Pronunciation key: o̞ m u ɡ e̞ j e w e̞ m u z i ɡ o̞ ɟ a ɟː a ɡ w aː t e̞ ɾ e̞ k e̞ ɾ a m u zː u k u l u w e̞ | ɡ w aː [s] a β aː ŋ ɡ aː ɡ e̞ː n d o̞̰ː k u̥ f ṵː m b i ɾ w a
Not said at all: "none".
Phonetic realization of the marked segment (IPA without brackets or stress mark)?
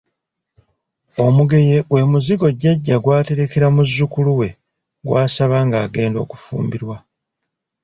s